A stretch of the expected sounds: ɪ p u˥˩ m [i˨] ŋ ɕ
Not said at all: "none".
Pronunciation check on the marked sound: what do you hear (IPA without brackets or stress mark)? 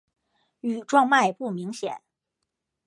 i˧˥